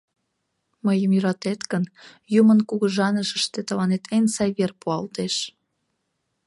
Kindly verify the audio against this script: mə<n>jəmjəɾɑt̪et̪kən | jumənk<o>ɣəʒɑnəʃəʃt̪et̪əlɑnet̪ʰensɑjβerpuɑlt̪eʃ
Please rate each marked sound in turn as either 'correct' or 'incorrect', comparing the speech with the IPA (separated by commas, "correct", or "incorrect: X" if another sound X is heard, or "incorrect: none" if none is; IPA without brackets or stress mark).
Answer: incorrect: none, incorrect: u